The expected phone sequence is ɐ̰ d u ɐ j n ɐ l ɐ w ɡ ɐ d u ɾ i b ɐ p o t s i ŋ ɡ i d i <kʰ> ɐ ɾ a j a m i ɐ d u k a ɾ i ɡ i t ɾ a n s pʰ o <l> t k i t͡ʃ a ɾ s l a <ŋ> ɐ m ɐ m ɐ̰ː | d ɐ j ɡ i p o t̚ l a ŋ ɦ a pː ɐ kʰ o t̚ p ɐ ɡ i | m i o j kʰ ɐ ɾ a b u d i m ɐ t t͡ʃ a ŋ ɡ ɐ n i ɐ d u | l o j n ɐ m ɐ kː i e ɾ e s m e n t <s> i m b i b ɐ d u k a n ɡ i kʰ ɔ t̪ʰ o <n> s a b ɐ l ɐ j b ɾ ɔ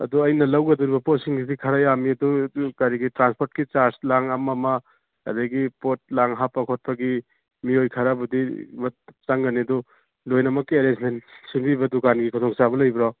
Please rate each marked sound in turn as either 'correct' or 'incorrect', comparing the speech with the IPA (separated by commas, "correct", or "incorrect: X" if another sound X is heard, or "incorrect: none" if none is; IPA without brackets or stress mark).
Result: correct, incorrect: ɾ, correct, correct, incorrect: ŋ